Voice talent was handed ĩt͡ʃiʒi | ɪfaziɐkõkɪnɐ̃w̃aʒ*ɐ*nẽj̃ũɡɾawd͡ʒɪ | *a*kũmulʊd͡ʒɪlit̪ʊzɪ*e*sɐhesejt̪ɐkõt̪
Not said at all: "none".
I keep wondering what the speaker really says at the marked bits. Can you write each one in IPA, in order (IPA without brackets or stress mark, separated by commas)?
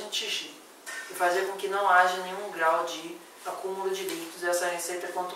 ɐ, a, ɛ